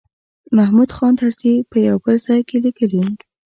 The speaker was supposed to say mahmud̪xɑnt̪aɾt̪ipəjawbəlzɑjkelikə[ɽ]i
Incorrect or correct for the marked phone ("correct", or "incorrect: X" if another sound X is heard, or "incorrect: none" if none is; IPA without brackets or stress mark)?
incorrect: l